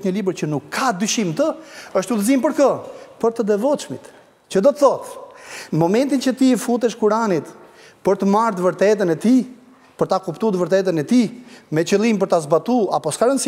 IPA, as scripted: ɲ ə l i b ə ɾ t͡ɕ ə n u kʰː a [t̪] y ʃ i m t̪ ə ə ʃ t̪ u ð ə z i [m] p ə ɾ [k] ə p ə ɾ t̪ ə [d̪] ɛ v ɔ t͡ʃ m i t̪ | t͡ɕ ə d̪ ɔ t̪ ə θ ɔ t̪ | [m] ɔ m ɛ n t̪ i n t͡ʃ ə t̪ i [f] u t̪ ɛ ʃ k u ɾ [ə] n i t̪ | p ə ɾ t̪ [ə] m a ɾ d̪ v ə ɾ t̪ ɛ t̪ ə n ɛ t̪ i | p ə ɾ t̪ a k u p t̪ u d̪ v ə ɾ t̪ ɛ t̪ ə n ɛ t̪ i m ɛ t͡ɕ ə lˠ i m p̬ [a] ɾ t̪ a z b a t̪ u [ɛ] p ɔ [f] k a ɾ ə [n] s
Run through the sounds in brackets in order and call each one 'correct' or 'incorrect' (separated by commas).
incorrect, correct, correct, correct, correct, correct, incorrect, correct, incorrect, incorrect, incorrect, correct